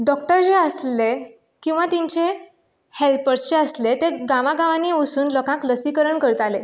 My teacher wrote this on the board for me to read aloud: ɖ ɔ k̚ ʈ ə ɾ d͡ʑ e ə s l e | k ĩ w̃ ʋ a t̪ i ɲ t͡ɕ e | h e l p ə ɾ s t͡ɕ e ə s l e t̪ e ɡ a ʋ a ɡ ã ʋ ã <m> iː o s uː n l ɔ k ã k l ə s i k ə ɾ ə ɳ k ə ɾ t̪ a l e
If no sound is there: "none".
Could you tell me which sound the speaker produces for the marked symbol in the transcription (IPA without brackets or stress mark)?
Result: n